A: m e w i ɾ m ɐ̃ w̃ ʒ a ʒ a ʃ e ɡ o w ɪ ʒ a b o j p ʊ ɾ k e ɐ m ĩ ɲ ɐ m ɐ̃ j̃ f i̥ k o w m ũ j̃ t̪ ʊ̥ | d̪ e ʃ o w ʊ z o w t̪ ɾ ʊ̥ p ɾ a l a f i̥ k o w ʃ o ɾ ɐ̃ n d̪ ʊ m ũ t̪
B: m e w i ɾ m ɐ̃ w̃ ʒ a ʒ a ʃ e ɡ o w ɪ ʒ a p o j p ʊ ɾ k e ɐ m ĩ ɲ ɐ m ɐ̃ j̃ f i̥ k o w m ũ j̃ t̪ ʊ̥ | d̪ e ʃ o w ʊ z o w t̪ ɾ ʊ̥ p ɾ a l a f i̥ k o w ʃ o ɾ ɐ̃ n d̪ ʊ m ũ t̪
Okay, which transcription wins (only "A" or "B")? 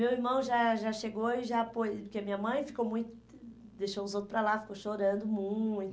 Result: B